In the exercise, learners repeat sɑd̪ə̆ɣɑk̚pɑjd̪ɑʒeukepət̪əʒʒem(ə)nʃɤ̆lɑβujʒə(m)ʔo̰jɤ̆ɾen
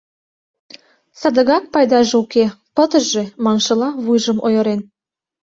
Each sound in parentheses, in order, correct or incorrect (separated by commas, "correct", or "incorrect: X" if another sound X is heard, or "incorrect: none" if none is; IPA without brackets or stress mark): incorrect: ɑ, correct